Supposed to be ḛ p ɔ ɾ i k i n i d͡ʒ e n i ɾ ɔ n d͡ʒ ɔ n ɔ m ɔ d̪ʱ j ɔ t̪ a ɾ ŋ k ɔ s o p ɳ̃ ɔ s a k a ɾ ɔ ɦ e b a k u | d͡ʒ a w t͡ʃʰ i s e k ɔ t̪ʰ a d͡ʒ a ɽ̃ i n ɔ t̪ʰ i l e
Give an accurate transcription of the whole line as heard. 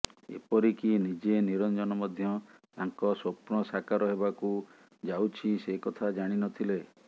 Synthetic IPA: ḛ p ɔ ɾ i k i n i d͡ʒ e n i ɾ ɔ n d͡ʒ ɔ n ɔ m ɔ d̪ʱ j ɔ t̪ a ŋ k ɔ s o p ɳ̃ ɔ s a k a ɾ ɔ ɦ e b a k u | d͡ʒ a w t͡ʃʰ i s e k ɔ t̪ʰ a d͡ʒ a ɽ̃ i n ɔ t̪ʰ i l e